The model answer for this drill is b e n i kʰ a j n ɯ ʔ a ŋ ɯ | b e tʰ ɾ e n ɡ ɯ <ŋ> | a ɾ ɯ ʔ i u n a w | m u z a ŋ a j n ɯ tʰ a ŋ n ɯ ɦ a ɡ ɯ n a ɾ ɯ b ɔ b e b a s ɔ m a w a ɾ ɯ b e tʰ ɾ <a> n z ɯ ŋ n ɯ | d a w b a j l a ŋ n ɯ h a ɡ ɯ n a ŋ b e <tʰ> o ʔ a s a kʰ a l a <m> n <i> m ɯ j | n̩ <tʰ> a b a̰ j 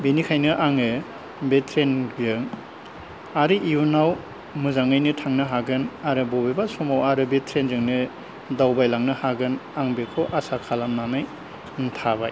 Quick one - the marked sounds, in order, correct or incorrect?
correct, incorrect: e, incorrect: kʰ, correct, incorrect: a, correct

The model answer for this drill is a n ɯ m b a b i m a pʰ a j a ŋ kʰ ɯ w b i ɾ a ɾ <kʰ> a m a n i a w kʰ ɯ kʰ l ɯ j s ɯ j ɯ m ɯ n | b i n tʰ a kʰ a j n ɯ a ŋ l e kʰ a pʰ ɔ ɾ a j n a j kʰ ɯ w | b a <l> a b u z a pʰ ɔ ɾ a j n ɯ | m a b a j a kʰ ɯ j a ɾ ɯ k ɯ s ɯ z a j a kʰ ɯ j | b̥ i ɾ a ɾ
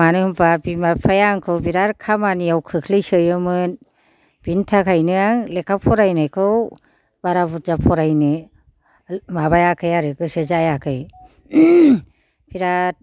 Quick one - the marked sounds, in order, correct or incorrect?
correct, incorrect: ɾ

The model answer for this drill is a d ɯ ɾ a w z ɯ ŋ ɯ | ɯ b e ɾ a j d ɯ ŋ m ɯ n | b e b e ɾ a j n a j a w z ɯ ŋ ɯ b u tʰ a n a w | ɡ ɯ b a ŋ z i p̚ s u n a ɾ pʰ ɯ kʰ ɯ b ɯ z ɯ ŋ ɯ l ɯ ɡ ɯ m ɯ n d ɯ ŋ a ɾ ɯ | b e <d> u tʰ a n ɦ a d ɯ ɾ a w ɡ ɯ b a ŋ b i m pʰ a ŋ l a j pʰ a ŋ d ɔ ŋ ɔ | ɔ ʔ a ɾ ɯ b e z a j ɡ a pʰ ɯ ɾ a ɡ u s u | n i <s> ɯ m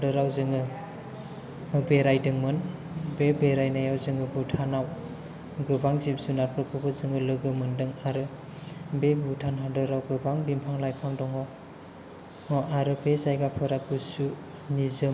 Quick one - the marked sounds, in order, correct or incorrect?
incorrect: b, incorrect: z

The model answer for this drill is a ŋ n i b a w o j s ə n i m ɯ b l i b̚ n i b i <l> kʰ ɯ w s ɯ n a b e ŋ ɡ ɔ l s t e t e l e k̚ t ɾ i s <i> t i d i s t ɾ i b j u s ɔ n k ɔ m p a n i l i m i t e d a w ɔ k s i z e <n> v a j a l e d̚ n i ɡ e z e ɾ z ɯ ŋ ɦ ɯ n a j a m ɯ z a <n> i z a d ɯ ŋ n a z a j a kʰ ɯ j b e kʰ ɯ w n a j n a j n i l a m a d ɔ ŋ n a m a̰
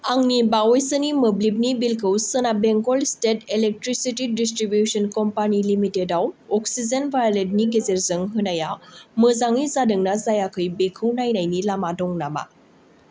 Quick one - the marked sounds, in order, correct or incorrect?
correct, correct, correct, incorrect: ŋ

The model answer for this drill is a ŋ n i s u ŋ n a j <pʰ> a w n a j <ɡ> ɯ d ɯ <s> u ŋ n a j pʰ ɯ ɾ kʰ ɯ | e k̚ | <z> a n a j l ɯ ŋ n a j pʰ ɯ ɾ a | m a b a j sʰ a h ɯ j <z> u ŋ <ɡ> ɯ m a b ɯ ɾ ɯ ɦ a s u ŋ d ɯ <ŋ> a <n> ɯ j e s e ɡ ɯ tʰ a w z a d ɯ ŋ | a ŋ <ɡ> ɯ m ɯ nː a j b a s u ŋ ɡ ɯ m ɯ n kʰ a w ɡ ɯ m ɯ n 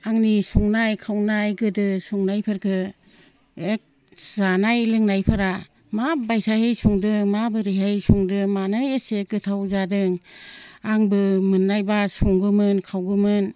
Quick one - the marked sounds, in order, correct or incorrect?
incorrect: kʰ, correct, correct, correct, incorrect: s, incorrect: d, incorrect: m, correct, incorrect: b

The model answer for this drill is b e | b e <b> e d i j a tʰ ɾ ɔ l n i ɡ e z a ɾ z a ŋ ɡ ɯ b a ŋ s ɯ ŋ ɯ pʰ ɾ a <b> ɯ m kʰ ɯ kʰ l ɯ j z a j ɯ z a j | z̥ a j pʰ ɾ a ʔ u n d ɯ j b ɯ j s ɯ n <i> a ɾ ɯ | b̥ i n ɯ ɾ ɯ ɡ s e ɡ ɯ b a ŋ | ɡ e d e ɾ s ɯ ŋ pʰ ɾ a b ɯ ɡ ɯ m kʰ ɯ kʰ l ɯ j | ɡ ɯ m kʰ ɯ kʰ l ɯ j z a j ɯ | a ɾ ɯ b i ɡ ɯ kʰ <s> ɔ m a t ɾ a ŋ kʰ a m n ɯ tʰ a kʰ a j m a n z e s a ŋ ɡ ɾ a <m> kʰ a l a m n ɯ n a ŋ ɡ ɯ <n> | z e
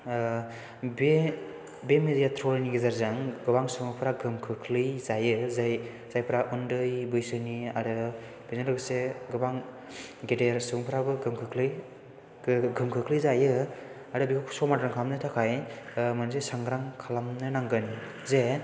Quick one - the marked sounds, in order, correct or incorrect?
incorrect: m, incorrect: ɡ, correct, correct, incorrect: ŋ, correct

